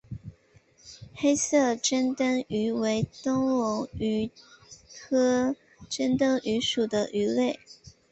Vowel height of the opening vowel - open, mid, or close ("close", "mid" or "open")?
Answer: mid